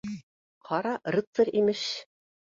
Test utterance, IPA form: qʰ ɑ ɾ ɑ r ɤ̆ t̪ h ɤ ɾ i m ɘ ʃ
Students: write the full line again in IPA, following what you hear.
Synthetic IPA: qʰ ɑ ɾ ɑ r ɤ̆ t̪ s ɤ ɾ i m ɘ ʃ